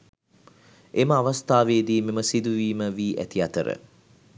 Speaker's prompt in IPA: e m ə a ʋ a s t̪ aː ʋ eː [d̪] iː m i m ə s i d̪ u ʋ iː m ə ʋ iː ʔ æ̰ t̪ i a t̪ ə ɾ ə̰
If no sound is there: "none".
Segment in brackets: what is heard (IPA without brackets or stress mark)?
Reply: d̪